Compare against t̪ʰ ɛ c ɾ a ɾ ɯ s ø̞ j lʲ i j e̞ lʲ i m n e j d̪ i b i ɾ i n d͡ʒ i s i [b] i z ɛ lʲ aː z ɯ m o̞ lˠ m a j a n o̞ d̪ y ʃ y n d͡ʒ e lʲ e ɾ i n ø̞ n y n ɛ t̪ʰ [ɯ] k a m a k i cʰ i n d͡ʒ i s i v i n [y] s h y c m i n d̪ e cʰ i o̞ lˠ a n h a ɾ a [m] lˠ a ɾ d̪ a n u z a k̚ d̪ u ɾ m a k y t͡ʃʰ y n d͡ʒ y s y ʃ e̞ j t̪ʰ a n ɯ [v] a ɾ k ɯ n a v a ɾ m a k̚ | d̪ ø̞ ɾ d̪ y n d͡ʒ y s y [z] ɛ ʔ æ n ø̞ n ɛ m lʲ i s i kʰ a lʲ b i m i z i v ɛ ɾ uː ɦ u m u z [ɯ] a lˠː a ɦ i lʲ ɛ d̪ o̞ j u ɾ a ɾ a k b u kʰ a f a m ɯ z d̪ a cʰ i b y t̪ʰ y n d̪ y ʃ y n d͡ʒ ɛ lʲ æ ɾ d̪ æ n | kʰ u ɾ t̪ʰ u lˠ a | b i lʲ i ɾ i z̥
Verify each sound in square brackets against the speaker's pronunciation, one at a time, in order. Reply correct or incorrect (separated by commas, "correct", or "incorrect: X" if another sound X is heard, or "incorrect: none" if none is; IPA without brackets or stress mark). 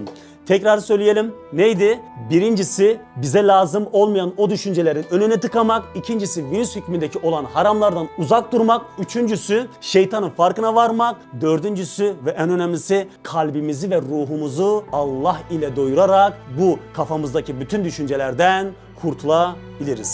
correct, correct, correct, correct, incorrect: f, incorrect: v, incorrect: u